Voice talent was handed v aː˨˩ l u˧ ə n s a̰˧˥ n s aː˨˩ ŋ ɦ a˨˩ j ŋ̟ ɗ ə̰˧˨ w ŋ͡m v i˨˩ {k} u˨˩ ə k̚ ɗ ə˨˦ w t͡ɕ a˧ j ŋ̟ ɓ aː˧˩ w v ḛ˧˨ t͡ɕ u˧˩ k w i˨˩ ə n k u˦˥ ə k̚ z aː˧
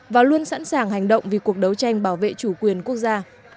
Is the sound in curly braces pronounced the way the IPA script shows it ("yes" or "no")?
yes